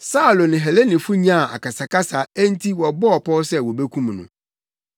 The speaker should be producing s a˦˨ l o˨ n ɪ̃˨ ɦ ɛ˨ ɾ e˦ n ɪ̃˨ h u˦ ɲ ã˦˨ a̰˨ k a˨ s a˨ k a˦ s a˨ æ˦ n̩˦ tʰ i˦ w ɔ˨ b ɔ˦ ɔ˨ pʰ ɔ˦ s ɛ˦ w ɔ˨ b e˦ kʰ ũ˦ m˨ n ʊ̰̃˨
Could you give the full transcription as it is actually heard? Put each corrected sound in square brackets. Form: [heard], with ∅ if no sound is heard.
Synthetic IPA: s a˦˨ l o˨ n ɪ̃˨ ɦ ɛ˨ [l] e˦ n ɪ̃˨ [f] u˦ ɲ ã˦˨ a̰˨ k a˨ s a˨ k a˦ s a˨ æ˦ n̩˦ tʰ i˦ w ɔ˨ b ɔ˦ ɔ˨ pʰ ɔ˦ s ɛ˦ w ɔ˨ b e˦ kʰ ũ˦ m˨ n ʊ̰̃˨